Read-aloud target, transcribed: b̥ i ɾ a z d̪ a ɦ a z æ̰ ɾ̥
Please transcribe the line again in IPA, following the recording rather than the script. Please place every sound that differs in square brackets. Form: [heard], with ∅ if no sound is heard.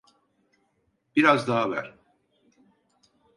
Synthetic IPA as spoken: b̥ i ɾ a z d̪ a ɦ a [v] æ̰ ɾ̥